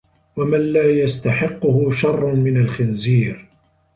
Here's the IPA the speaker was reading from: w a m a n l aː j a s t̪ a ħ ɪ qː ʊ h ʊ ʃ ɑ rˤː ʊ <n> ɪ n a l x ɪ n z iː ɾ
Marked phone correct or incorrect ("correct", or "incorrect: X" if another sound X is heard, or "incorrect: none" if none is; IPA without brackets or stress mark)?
incorrect: m